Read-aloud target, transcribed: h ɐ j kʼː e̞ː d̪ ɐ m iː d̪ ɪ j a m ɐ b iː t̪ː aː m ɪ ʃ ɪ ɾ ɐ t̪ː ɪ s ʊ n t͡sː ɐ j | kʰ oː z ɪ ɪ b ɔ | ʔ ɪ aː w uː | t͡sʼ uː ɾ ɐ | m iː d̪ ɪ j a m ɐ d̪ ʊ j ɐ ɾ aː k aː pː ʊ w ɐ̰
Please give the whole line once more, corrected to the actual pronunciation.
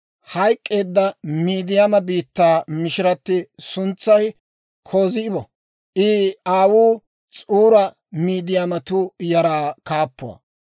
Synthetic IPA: h ɐ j kʼː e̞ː d̪ː ɐ m iː d̪ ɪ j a m ɐ b iː t̪ː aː m ɪ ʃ ɪ ɾ ɐ t̪ː ɪ s ʊ n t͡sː ɐ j | kʰ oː z ɪ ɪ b ɔ | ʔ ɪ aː w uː | t͡sʼ uː ɾ ɐ | m iː d̪ ɪ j a m ɐ t̪ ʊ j ɐ ɾ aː k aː pː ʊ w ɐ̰